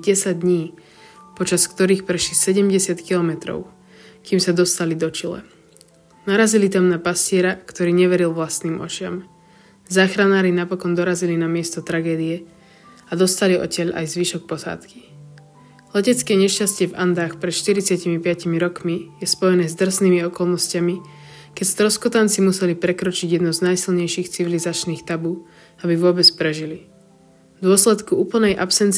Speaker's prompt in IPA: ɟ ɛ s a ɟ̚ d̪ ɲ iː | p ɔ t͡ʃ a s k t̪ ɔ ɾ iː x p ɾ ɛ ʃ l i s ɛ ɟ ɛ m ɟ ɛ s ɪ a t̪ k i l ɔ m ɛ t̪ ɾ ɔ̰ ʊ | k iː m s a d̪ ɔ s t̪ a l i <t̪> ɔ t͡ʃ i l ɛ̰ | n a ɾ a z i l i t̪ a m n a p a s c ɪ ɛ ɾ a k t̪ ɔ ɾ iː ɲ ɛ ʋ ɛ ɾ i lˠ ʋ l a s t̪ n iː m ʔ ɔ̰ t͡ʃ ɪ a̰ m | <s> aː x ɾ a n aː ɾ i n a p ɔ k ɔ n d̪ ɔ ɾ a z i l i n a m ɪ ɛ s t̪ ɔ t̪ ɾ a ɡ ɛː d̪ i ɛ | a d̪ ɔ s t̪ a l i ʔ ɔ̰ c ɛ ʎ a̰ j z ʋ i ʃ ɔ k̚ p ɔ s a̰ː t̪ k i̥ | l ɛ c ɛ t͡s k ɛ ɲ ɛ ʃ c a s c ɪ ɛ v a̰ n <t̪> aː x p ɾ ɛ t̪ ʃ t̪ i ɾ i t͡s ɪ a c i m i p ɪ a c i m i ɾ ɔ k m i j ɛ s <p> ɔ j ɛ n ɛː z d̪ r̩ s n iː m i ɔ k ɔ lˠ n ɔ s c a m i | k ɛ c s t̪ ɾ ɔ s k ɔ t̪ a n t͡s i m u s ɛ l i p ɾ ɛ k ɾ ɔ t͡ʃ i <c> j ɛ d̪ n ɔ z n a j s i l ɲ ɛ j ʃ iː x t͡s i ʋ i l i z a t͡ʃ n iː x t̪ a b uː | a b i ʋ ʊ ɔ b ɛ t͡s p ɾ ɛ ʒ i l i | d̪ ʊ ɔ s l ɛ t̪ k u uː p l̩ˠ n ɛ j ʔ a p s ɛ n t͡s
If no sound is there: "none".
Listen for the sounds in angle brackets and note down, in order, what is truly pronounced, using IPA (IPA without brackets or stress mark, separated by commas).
d̪, z, d̪, p, ɟ